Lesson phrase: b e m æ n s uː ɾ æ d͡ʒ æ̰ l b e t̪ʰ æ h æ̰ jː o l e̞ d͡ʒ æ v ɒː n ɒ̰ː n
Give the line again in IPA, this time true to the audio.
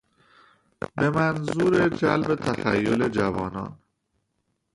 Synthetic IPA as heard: b e m æ n z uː ɾ e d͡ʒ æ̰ l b e t̪ʰ æ x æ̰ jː o l e̞ d͡ʒ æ v ɒː n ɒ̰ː n